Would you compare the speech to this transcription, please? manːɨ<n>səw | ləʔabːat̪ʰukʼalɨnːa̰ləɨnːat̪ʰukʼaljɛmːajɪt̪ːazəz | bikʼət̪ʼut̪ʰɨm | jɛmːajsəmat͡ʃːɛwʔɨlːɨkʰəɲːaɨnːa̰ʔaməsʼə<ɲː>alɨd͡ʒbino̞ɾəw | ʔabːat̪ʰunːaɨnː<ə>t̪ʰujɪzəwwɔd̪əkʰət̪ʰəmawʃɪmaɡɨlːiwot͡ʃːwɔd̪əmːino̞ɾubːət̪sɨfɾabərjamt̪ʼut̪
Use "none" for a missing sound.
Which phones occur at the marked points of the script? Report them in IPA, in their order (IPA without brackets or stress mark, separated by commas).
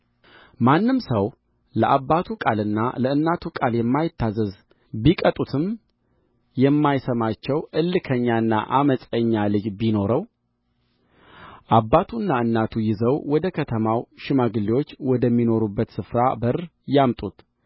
m, ɲː, a